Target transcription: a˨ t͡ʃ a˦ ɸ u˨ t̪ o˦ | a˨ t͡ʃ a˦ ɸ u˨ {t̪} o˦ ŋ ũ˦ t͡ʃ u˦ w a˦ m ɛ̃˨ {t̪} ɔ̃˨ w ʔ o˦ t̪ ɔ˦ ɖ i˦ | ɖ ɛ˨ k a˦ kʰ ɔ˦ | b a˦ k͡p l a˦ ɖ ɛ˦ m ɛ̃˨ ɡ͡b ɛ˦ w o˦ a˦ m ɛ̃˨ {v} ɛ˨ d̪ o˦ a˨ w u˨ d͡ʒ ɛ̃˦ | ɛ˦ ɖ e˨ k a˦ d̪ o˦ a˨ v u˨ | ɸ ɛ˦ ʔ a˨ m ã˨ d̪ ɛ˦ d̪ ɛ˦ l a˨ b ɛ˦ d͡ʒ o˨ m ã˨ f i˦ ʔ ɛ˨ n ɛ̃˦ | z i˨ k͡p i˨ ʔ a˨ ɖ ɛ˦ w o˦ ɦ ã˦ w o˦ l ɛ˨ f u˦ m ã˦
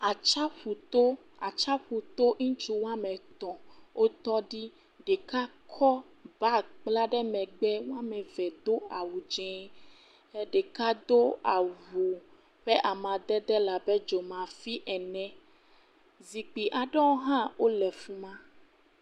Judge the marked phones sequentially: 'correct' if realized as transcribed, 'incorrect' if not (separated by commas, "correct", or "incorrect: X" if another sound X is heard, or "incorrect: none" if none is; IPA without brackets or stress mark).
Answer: correct, correct, correct